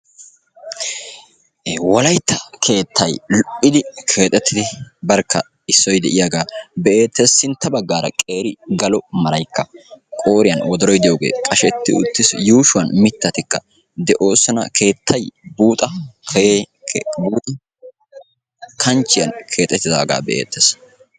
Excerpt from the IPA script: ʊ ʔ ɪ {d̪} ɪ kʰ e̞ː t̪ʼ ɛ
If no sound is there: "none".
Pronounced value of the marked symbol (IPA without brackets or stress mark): d̪